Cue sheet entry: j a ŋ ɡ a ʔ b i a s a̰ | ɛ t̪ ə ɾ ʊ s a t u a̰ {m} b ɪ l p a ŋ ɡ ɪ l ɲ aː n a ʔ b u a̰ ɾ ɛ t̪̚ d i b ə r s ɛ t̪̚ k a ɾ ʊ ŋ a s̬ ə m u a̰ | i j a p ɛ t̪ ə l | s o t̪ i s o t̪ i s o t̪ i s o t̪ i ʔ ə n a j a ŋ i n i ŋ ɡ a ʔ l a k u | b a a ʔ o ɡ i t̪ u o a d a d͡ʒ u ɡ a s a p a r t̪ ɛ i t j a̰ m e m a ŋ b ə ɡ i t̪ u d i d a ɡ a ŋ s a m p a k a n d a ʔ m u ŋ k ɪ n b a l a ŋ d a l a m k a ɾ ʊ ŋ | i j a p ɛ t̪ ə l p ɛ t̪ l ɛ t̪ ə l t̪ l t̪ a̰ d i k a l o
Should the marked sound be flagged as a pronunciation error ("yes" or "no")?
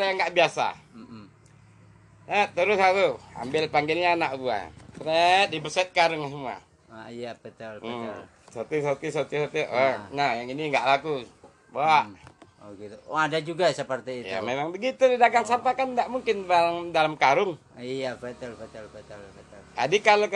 no